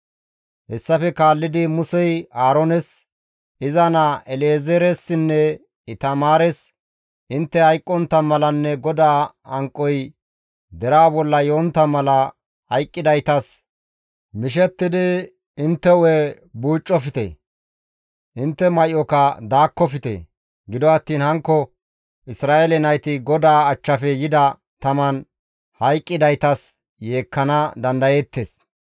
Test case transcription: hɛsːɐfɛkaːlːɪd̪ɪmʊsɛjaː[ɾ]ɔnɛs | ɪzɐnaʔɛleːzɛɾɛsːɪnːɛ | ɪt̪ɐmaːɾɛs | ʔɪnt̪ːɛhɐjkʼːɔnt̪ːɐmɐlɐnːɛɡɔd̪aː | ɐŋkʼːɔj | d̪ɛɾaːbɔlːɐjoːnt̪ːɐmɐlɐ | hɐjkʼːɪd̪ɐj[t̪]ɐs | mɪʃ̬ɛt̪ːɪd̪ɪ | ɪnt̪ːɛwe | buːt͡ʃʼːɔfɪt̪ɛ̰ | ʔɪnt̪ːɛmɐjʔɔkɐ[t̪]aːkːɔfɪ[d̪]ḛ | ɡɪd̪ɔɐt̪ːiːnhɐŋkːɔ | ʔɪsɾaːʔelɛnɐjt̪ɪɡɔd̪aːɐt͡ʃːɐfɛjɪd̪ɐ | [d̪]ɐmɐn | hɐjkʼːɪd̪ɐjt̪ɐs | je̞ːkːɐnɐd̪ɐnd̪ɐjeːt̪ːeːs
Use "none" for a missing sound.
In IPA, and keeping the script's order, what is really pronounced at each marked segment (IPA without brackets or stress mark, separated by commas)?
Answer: ɾ, t̪, d̪, t̪, t̪